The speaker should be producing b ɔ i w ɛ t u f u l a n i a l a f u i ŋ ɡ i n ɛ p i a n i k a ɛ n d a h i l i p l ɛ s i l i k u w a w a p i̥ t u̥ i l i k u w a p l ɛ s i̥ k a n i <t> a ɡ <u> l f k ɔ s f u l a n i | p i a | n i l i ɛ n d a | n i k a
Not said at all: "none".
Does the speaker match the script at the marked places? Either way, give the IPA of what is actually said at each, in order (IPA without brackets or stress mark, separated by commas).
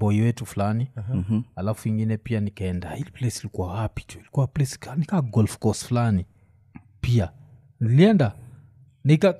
k, ɔ